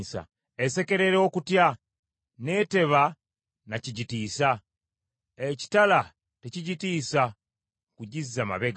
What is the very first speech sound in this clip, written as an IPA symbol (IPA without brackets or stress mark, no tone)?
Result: s